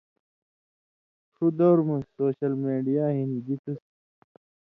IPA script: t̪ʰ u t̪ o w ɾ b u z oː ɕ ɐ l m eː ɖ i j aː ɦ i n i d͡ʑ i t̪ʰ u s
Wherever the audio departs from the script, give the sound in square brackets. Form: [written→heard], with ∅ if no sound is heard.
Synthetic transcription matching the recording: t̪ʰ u [t̪→d̪] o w ɾ [b→m] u [z→s] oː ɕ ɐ l m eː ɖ i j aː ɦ i n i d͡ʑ i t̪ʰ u s